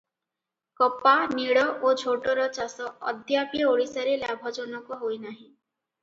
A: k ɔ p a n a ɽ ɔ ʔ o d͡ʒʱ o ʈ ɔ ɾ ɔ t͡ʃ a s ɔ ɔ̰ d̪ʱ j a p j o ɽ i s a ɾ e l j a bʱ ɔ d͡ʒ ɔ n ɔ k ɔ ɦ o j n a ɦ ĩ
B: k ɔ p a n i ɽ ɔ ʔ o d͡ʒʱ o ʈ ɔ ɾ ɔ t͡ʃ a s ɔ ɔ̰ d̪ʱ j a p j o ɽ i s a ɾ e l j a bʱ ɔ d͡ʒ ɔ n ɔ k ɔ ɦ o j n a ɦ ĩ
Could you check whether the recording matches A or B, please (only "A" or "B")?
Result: B